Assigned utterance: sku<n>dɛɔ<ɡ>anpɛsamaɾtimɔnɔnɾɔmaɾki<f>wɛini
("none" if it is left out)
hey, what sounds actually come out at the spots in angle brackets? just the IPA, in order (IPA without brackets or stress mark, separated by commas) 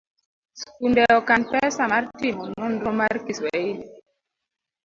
n, k, s